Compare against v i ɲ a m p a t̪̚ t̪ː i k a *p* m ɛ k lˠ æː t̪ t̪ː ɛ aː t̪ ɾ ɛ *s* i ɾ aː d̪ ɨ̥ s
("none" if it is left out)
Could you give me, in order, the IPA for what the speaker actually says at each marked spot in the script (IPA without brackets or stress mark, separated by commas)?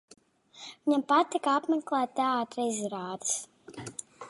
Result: p, z